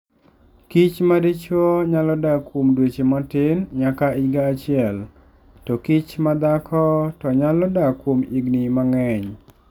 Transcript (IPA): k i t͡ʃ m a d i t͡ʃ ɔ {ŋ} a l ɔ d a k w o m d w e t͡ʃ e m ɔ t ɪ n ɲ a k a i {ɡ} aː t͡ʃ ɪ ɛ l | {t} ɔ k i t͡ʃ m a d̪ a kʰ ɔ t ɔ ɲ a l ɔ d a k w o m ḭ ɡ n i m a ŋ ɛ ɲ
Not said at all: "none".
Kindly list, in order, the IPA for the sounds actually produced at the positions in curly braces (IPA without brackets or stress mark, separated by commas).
ɲ, ɡ, t